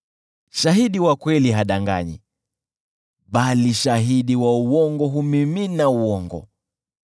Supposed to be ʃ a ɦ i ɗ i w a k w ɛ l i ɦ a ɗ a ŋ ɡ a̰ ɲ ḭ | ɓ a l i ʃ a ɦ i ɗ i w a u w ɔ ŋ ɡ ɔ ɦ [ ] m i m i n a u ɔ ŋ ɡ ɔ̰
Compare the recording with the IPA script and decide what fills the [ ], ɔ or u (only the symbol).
u